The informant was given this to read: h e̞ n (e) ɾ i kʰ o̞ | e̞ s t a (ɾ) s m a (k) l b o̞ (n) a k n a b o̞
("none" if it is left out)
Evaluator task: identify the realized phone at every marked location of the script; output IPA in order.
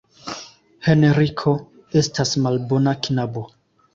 e, none, none, n

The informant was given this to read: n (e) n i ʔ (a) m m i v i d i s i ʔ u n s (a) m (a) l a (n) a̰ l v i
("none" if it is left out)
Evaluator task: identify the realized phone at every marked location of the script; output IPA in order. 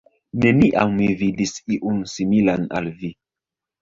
e, a, i, i, n

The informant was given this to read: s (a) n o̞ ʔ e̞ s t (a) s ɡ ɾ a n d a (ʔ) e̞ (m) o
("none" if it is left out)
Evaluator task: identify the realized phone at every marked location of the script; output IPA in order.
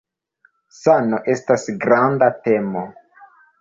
a, a, t, m

